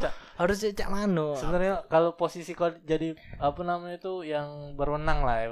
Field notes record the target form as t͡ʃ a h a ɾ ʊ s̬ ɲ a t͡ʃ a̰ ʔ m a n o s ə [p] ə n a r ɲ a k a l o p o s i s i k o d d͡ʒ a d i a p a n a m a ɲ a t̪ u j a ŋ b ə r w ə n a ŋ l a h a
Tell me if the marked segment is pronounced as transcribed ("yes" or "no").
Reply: no